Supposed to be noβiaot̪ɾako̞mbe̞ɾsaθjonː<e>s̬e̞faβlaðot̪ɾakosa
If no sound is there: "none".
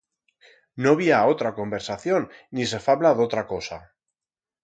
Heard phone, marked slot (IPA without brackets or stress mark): i